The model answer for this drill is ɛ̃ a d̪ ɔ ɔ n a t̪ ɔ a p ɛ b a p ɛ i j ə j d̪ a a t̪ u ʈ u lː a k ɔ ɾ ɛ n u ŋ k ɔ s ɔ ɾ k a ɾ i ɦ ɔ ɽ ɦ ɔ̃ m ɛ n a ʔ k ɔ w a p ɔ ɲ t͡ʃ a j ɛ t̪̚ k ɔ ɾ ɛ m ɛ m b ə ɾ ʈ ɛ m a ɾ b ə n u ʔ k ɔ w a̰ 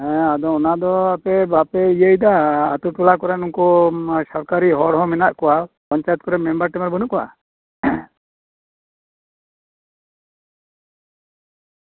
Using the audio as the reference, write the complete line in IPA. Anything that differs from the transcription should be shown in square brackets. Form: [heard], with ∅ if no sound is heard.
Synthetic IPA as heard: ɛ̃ a d̪ ɔ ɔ n a [d̪] ɔ a p ɛ b a p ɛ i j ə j d̪ a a t̪ u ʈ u [l] a k ɔ ɾ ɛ n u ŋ k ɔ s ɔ ɾ k a ɾ i ɦ ɔ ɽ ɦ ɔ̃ m ɛ n a ʔ k ɔ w a p ɔ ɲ t͡ʃ a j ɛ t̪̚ k ɔ ɾ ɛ m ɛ m b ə ɾ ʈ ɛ m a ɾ b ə n u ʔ k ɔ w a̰